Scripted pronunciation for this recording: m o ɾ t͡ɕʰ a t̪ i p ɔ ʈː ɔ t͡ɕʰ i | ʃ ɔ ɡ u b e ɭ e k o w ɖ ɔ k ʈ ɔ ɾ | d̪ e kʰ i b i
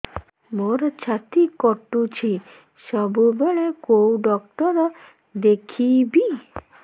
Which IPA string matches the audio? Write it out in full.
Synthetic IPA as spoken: m o ɾ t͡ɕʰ a t̪ i k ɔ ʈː u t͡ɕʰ i | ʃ ɔ b u b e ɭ e k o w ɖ ɔ k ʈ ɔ ɾ | d̪ e kʰ i b i

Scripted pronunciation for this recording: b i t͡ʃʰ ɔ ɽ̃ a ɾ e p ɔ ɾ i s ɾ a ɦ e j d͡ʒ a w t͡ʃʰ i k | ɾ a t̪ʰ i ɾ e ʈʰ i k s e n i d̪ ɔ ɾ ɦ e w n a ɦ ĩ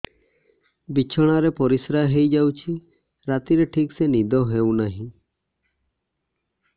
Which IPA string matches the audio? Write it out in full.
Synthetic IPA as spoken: b i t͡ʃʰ ɔ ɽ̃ a ɾ e p ɔ ɾ i s ɾ a ɦ e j d͡ʒ a w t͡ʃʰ i | ɾ a t̪ i ɾ e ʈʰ i k s e n i d̪ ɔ ɦ e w n a ɦ ĩ

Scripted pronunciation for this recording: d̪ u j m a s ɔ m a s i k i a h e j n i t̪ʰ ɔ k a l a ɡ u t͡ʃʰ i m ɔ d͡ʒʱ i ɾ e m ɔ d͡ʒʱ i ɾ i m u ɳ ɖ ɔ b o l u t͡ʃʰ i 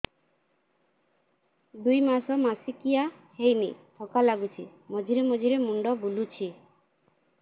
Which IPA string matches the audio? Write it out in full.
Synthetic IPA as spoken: d̪ u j m a s ɔ m a s i k i a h e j n i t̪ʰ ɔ k a l a ɡ u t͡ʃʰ i m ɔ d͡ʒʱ i ɾ e m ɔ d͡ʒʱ i ɾ e m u ɳ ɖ ɔ b u l u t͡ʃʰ i

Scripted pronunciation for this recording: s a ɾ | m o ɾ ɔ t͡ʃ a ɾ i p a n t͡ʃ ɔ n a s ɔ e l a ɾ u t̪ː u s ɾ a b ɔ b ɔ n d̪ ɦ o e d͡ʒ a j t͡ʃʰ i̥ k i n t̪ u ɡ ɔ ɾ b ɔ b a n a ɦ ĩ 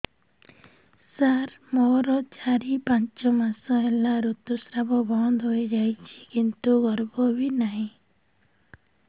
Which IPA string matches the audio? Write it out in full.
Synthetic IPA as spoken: s a ɾ | m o ɾ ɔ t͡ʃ a ɾ i p a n t͡ʃ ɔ m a s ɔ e l a ɾ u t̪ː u s ɾ a b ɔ b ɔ n d̪ ɦ o e d͡ʒ a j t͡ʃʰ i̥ k i n t̪ u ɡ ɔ ɾ b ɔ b i n a ɦ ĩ

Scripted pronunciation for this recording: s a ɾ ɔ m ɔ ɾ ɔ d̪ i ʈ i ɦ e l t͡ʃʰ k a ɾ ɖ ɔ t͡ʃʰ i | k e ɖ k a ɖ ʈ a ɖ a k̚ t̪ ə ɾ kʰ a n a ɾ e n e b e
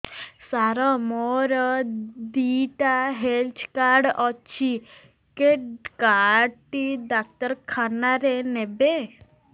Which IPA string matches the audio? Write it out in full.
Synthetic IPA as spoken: s a ɾ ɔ m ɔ ɾ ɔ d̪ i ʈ a ɦ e l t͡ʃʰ k a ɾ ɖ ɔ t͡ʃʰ i | k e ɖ k a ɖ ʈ i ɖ a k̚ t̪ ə ɾ kʰ a n a ɾ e n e b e

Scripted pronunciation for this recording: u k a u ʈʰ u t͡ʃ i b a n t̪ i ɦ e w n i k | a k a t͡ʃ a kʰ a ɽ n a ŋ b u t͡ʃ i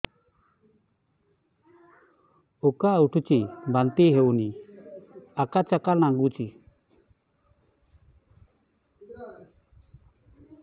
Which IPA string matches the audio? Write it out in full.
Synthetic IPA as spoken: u k a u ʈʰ u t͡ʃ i b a n t̪ i ɦ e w n i | a k a t͡ʃ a k a l n a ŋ ɡ u t͡ʃ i

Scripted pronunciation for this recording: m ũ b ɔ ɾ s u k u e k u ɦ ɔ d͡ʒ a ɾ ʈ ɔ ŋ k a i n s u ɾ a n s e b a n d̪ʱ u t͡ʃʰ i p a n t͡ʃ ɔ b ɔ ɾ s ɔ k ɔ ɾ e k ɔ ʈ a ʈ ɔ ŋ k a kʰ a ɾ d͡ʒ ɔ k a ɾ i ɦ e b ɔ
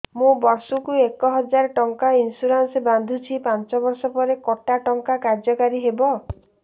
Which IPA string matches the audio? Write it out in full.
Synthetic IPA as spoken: m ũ b ɔ ɾ s u k u e k ɔ ɦ ɔ d͡ʒ a ɾ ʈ ɔ ŋ k a i n s u ɾ a n s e b a n d̪ʱ u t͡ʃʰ i p a n t͡ʃ ɔ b ɔ ɾ s ɔ p ɔ ɾ e k ɔ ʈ a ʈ ɔ ŋ k a k a ɾ d͡ʒ ɔ k a ɾ i ɦ e b ɔ

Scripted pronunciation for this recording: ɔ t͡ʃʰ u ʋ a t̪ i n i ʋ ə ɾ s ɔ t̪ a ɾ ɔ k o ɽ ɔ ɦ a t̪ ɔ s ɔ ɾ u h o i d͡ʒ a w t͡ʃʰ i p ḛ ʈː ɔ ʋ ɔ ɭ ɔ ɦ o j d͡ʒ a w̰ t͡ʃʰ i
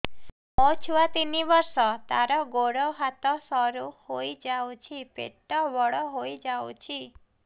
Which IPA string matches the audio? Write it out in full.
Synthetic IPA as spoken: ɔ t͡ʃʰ u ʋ a t̪ i n i ʋ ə ɾ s ɔ t̪ a ɾ ɔ ɡ o ɽ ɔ ɦ a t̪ ɔ s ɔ ɾ u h o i d͡ʒ a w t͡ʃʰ i p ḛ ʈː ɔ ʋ ɔ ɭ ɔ ɦ o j d͡ʒ a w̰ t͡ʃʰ i

